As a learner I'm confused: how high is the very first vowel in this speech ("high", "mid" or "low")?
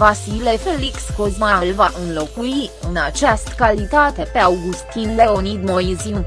low